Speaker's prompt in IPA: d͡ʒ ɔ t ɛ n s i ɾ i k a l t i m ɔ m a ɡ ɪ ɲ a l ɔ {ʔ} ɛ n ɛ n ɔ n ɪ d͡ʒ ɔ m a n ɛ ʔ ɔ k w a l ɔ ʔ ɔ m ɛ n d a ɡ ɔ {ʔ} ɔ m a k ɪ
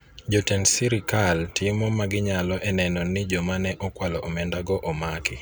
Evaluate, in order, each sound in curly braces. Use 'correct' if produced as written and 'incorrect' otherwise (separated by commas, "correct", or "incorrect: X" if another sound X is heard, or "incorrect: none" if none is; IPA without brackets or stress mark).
correct, correct